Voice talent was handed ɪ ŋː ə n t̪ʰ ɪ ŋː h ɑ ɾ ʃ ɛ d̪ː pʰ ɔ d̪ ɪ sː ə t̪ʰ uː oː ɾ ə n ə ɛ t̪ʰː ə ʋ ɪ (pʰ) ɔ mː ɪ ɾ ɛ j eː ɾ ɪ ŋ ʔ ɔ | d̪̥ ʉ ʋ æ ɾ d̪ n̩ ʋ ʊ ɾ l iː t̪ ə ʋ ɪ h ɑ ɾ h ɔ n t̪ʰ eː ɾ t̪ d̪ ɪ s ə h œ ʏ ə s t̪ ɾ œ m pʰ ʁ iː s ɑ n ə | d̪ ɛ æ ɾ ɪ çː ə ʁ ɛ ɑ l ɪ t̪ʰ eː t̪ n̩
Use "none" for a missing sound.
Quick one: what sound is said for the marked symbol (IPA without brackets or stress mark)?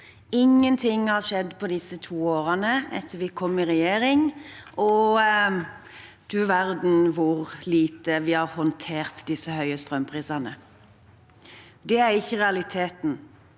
kʰ